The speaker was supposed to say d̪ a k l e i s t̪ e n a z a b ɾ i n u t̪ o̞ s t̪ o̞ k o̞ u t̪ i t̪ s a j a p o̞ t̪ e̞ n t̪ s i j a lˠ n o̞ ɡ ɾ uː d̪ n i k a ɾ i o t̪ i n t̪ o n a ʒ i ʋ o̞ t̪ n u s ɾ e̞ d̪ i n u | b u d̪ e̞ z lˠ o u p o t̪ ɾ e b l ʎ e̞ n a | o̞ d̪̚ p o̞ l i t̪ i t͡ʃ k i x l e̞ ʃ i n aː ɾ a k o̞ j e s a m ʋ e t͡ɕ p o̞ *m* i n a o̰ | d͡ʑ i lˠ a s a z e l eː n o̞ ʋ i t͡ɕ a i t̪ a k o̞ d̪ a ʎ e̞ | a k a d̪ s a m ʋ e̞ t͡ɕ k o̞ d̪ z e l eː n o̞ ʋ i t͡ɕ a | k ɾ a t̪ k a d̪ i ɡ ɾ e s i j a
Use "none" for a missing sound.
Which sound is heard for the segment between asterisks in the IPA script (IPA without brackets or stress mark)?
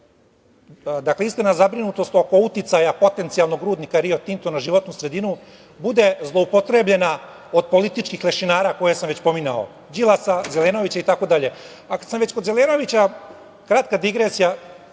m